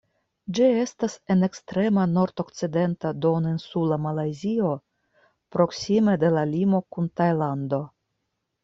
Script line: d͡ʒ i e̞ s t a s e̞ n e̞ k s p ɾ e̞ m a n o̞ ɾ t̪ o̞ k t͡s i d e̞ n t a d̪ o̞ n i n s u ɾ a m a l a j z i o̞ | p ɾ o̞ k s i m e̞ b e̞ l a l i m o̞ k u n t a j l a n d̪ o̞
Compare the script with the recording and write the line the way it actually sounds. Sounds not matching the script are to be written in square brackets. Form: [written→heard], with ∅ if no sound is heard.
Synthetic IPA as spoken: d͡ʒ i e̞ s t a s e̞ n e̞ k s [p→t] ɾ e̞ m a n o̞ ɾ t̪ o̞ k t͡s i d e̞ n t a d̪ o̞ n i n s u [ɾ→l] a m a l a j z i o̞ | p ɾ o̞ k s i m e̞ [b→d] e̞ l a l i m o̞ k u n t a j l a n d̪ o̞